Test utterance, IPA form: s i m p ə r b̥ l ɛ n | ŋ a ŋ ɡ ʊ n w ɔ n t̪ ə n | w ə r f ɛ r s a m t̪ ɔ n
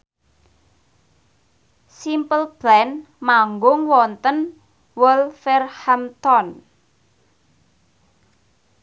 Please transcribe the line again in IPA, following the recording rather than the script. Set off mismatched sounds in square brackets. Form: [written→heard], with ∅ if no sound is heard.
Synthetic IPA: s i m p ə [r→l] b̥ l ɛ n | [ŋ→m] a ŋ ɡ ʊ [n→ŋ] w ɔ n t̪ ə n | w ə [r→l] f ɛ r [s→h] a m t̪ ɔ n